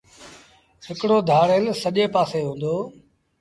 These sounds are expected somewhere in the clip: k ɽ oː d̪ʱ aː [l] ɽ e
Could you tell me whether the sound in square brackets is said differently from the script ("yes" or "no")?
yes